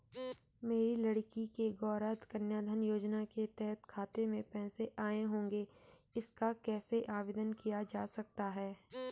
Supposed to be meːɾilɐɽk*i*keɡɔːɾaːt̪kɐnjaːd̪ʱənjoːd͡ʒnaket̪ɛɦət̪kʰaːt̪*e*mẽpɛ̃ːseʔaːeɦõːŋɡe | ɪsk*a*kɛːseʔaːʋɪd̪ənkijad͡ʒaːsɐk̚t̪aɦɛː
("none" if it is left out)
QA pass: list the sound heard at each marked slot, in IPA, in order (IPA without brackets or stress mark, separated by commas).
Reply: i, e, a